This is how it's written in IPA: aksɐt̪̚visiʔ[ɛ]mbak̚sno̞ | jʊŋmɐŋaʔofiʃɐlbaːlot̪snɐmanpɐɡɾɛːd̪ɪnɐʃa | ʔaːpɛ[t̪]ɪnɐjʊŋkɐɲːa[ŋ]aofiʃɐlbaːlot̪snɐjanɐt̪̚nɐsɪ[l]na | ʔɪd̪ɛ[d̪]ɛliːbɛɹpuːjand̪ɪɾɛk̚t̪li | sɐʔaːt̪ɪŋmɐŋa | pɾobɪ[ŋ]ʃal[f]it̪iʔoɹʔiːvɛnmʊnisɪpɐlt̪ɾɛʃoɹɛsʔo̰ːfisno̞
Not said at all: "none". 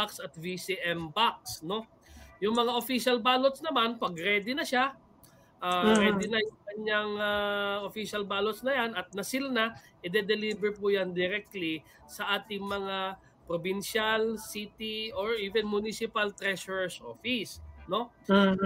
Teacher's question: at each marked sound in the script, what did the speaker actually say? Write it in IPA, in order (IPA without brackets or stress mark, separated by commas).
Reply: ɛ, d̪, ŋ, l, d̪, n, s